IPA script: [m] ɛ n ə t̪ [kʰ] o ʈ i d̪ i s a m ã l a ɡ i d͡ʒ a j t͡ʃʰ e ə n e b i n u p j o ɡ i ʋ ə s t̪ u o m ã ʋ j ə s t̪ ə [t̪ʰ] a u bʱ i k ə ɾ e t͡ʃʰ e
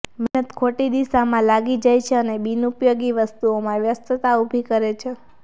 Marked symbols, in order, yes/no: yes, yes, no

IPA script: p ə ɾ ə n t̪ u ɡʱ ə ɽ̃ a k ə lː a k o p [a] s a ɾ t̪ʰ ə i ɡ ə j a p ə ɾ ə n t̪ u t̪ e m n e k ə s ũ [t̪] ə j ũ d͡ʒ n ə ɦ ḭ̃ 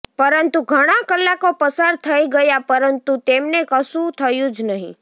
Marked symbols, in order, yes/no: no, no

